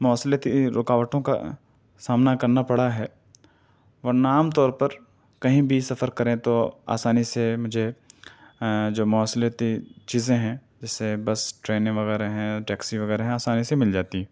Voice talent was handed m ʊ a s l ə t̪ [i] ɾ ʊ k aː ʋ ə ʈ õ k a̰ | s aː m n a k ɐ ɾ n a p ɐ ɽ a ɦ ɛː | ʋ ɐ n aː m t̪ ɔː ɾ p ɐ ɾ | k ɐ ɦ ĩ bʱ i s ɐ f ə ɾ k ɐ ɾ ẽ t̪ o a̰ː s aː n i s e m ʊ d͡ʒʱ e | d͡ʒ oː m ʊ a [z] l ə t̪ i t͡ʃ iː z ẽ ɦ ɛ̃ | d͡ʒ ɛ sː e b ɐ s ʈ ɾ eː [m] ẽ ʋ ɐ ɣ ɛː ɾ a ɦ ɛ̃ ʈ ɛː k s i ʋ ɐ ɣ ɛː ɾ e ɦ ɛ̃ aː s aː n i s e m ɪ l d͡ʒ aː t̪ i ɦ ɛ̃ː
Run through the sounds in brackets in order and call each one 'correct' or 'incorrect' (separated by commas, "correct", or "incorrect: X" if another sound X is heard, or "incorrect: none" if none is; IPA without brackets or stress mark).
correct, incorrect: s, incorrect: n